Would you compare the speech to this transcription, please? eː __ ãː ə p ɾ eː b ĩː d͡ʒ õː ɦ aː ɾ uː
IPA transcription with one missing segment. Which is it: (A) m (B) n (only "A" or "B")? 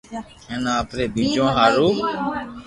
B